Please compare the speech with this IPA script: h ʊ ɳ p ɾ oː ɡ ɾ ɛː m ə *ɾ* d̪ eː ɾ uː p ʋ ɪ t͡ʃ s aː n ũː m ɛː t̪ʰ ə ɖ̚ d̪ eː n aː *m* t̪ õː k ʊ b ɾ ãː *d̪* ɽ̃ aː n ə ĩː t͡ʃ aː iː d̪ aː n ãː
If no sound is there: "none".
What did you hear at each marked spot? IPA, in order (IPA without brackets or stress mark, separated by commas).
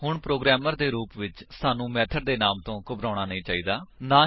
ɾ, m, none